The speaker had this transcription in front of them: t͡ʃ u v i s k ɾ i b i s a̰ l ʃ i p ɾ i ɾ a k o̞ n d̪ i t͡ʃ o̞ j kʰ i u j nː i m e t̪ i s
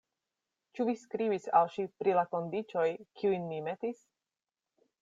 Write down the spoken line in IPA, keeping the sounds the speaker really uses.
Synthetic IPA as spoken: t͡ʃ u v i s k ɾ i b i s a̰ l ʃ i p ɾ i l a k o̞ n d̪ i t͡ʃ o̞ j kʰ i u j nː i m e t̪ i s